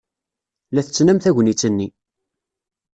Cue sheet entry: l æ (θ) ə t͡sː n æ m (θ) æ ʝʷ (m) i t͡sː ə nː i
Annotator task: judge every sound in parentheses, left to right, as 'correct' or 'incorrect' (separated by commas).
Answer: correct, correct, incorrect